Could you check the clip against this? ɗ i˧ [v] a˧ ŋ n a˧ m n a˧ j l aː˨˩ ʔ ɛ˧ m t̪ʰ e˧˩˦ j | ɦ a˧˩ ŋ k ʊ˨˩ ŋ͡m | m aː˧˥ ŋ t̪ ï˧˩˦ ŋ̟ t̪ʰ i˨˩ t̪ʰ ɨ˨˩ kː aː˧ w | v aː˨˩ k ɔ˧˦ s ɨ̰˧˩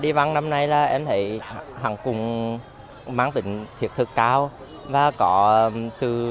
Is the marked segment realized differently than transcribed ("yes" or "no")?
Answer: no